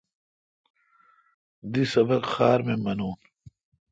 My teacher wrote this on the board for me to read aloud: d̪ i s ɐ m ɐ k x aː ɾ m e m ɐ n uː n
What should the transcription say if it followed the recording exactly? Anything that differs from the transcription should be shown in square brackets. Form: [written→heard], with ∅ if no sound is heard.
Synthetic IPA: d̪ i s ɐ [m→b] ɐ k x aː ɾ m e m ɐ n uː n